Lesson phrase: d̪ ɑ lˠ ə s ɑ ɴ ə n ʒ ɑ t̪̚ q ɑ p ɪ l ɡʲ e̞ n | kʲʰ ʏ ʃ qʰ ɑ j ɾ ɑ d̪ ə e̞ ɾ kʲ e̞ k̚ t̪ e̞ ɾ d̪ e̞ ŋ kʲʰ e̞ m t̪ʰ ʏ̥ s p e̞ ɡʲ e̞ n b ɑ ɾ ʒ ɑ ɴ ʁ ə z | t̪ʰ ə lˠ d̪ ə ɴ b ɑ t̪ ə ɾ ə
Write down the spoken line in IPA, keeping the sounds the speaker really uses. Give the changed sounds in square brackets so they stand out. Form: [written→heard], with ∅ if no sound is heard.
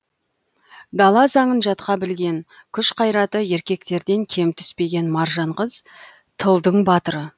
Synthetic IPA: d̪ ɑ lˠ [ə→ɑ] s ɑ ɴ ə n ʒ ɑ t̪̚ q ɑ [p→b] ɪ l ɡʲ e̞ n | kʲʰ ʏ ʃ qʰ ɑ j ɾ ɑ [d̪→t̪] ə e̞ ɾ kʲ e̞ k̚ t̪ e̞ ɾ d̪ e̞ ŋ kʲʰ e̞ m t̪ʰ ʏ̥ s p e̞ ɡʲ e̞ n [b→m] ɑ ɾ ʒ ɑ ɴ ʁ ə z | t̪ʰ ə lˠ d̪ ə ɴ b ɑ t̪ ə ɾ ə